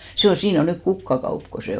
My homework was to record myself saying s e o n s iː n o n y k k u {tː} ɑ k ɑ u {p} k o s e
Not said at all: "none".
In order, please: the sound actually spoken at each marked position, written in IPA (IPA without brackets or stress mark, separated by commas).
kː, p